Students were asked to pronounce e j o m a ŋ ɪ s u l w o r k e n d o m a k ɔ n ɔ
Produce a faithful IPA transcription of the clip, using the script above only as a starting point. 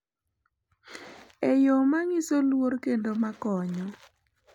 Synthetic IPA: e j o m a ŋ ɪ s o l w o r k e n d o m a k ɔ ɲ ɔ